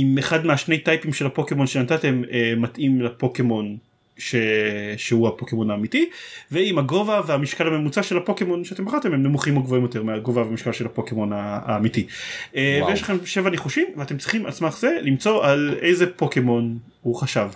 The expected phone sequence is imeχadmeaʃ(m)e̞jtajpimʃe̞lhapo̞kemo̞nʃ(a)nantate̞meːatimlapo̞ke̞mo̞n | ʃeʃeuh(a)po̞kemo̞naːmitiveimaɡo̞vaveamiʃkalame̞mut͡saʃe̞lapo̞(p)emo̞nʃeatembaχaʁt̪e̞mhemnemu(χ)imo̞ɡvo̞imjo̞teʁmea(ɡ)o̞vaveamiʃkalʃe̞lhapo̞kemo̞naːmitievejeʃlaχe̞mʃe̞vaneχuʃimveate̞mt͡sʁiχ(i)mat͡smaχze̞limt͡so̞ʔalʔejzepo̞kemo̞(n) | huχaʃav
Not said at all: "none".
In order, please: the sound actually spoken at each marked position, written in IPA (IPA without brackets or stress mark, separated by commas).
n, e, a, k, χ, ɡ, i, n